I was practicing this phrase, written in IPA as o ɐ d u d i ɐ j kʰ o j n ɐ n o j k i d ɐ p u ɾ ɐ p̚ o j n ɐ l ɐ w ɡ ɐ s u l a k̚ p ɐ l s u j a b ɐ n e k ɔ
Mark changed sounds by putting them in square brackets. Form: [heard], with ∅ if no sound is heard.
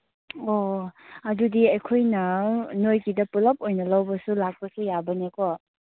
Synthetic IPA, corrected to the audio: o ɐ d u d i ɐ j kʰ o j n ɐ n o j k i d ɐ p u [l] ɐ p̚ o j n ɐ l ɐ w [b] ɐ s u l a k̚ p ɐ [∅] s u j a b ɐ n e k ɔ